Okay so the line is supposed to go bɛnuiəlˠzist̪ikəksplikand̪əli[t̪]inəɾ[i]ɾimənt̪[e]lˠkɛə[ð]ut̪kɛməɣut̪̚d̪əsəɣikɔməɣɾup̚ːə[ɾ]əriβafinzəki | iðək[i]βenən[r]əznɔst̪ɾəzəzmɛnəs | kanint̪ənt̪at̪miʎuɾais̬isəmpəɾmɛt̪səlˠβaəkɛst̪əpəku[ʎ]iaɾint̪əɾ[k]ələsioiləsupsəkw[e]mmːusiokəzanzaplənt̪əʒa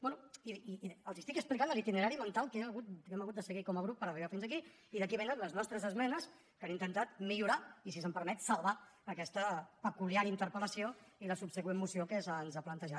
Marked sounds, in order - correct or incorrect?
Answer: correct, incorrect: a, incorrect: a, incorrect: ɣ, correct, correct, incorrect: l, incorrect: l, incorrect: p, correct

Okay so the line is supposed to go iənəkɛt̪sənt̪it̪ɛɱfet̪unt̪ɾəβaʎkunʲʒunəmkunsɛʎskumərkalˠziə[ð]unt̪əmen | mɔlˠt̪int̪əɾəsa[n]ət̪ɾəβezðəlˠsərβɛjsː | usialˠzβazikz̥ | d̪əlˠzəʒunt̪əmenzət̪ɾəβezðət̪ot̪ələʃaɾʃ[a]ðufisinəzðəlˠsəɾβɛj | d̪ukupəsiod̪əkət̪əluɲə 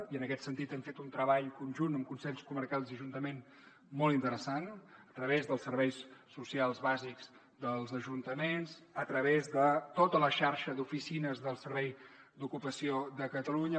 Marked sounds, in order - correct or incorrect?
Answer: incorrect: ʒ, correct, incorrect: ə

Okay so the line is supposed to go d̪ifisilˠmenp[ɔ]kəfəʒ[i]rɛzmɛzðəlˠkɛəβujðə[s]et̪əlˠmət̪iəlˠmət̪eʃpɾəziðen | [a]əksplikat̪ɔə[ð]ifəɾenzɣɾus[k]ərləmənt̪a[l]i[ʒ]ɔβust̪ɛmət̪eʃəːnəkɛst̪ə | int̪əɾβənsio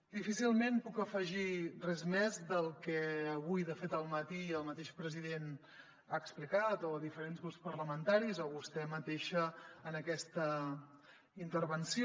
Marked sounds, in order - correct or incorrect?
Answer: incorrect: u, correct, incorrect: f, correct, correct, incorrect: p, incorrect: ɾ, incorrect: z

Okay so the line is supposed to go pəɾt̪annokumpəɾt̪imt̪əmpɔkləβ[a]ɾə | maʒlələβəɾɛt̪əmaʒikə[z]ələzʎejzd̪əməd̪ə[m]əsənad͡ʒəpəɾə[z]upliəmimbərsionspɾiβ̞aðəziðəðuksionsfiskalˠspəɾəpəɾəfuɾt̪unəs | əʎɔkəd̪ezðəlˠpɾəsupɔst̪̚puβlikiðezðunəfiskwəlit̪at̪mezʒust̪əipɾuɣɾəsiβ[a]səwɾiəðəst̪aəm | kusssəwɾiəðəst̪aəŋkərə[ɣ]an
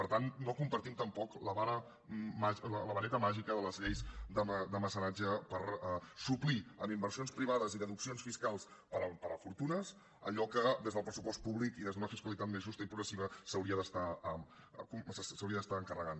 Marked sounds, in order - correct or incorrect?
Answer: correct, incorrect: ð, correct, incorrect: s, incorrect: ə, correct

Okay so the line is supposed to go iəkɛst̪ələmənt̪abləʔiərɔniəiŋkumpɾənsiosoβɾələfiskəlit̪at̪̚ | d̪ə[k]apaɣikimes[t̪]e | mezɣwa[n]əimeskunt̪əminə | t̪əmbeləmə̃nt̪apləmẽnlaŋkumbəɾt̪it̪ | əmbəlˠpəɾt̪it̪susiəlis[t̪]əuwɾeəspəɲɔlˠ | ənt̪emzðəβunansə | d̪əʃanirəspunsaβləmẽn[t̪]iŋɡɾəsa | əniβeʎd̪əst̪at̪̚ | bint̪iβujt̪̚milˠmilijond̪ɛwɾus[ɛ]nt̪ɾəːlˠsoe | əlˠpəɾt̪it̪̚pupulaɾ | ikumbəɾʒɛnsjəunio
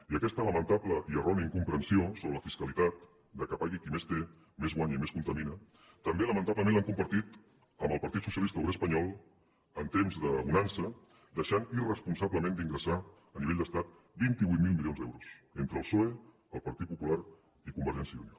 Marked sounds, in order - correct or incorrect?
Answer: correct, correct, incorrect: ɲ, correct, incorrect: d̪, incorrect: e

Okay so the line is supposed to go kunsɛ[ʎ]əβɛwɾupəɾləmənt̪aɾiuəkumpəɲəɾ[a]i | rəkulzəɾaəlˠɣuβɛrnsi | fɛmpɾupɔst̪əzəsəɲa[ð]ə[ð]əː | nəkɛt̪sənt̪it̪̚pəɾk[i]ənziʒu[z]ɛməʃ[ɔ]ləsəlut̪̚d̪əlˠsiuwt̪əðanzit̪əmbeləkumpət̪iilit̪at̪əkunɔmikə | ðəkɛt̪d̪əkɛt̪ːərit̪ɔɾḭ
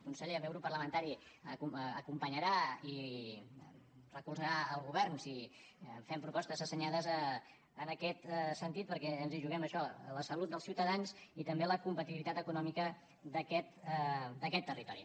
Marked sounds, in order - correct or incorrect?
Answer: correct, correct, correct, incorrect: z, incorrect: ɛ, incorrect: ɣ, correct

